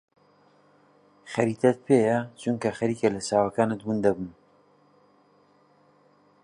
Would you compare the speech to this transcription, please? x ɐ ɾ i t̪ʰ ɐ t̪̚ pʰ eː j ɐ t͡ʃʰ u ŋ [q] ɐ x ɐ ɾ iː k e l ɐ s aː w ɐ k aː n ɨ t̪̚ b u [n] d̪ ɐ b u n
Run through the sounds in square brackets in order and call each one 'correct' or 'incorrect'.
incorrect: k, correct

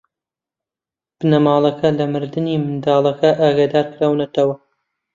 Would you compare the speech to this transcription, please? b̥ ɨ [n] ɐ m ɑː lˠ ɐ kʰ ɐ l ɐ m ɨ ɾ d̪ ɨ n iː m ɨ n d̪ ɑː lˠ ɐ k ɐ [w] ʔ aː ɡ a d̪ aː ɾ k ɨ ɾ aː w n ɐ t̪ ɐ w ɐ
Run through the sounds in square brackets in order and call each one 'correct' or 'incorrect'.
correct, incorrect: none

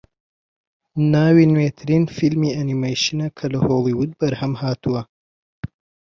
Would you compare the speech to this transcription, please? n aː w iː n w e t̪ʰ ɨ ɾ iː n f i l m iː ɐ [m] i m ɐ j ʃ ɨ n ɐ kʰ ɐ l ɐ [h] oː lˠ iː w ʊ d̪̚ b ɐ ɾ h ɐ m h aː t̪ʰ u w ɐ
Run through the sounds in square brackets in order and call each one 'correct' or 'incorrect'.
incorrect: n, correct

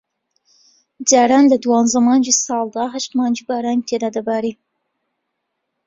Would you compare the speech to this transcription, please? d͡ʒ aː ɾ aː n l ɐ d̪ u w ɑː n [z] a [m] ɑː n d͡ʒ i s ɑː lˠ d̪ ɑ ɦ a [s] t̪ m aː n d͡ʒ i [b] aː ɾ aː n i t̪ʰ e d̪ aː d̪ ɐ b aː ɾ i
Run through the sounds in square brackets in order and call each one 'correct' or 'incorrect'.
correct, correct, incorrect: ʃ, correct

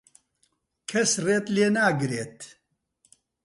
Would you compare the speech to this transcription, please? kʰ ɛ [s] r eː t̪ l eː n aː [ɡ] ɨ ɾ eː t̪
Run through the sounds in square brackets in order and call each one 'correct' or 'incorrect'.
correct, correct

